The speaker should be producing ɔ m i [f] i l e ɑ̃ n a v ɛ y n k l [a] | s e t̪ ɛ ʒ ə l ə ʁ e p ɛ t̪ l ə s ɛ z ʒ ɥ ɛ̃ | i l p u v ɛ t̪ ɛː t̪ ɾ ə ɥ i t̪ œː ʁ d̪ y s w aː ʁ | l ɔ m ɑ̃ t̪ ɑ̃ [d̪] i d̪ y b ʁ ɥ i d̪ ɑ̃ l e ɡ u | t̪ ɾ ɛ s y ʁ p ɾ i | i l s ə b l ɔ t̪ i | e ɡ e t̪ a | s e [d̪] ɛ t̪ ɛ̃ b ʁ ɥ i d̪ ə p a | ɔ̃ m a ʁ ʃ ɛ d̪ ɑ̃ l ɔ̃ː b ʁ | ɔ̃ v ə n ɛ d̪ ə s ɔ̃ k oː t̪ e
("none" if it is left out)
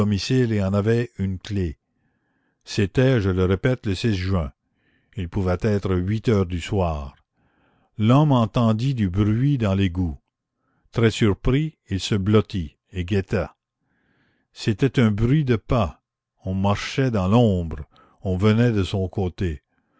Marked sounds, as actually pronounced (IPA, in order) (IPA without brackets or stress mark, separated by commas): s, e, d̪, t̪